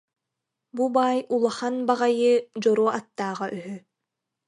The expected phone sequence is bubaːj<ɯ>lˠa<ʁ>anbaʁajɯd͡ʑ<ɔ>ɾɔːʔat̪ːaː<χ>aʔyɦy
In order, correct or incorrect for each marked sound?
incorrect, incorrect, correct, incorrect

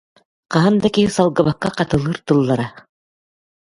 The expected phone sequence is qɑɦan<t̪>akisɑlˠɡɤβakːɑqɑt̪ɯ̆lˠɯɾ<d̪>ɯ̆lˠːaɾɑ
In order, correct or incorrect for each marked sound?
incorrect, incorrect

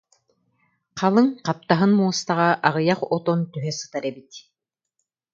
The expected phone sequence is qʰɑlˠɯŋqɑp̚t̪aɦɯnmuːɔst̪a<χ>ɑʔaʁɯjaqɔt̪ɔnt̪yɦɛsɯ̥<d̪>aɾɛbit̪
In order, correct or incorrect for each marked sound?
incorrect, incorrect

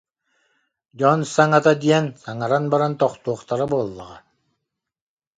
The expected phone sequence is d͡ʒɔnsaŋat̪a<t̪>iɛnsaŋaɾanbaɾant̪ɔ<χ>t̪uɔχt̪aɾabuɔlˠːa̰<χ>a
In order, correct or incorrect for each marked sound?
incorrect, correct, incorrect

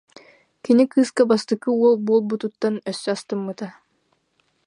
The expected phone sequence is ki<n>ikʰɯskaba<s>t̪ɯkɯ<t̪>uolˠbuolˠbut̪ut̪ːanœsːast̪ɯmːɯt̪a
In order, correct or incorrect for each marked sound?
correct, correct, incorrect

